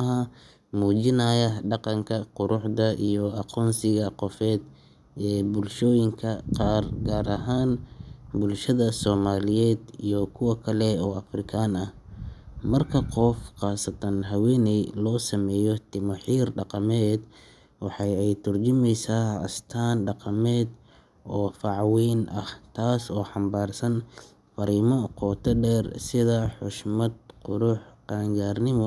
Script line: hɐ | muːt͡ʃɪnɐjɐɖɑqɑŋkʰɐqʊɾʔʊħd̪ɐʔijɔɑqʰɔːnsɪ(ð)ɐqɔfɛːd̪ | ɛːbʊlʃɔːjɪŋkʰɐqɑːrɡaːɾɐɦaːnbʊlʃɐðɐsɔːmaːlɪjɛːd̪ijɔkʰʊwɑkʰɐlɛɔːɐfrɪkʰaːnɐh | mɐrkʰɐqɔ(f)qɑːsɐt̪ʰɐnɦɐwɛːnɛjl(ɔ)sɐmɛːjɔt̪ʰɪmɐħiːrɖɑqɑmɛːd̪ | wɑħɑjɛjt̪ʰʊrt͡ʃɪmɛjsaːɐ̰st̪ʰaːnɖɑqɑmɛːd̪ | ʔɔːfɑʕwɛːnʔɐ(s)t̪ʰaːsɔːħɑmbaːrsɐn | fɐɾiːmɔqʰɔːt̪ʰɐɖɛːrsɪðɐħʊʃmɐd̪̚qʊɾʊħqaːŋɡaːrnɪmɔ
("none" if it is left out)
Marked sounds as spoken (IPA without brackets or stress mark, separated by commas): ɣ, f, ɔː, h